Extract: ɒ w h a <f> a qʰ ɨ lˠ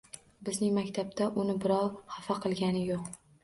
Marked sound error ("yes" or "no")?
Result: no